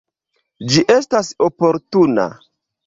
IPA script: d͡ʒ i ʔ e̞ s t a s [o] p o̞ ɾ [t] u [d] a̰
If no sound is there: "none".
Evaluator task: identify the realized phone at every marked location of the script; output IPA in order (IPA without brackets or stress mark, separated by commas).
o, t, n